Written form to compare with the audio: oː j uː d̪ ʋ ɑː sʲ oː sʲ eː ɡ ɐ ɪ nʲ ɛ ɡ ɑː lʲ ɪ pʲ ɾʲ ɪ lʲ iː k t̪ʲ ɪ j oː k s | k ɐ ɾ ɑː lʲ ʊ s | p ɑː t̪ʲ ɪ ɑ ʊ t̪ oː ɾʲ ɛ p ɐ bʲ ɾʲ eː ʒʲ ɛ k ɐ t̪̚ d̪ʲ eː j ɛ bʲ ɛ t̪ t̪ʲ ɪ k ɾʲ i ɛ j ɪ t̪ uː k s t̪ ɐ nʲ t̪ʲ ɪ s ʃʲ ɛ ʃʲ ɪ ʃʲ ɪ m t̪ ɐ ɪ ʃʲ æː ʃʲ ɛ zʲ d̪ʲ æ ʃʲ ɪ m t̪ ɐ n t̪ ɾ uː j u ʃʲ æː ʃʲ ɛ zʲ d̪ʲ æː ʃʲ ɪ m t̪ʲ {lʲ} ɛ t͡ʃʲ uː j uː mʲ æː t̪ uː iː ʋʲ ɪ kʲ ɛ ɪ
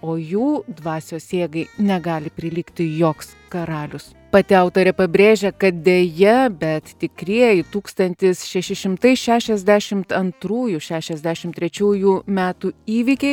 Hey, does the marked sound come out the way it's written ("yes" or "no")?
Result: no